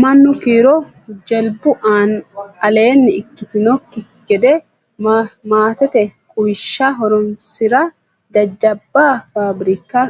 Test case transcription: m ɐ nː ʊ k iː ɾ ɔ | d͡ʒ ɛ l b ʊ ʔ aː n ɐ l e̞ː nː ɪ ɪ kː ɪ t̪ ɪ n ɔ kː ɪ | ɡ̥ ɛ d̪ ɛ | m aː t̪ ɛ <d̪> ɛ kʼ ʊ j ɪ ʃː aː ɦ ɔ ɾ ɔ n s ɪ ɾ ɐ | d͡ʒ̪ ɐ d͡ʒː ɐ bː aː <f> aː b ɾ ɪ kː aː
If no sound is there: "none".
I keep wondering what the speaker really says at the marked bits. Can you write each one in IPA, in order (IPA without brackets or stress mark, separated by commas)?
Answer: t̪, f